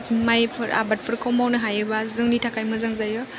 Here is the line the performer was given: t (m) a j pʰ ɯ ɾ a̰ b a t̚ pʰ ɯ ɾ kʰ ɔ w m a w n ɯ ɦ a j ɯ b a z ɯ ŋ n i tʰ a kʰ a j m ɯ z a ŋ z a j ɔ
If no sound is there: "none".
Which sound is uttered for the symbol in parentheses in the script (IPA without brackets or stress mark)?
m